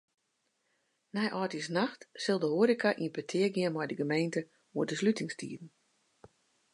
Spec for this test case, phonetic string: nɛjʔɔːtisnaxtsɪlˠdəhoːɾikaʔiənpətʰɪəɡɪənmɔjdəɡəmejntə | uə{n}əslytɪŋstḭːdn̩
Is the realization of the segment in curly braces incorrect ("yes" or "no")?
yes